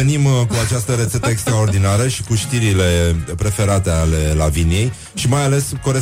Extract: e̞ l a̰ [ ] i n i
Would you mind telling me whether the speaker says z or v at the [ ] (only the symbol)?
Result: v